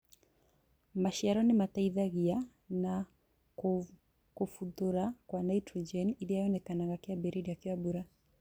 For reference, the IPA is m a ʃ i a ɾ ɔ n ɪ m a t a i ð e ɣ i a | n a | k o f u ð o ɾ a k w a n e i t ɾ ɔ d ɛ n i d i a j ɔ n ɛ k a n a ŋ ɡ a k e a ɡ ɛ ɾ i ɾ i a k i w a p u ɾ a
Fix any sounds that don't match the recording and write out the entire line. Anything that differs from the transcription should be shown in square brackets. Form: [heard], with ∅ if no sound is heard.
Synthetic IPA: m a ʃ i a ɾ ɔ n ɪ m a t a i ð [a] ɣ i a | n a | k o f u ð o ɾ a k w a n [a] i t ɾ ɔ [d͡ʒ] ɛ n i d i a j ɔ n ɛ k a n a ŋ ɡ a k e a [b] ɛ ɾ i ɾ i a k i w a [b] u ɾ a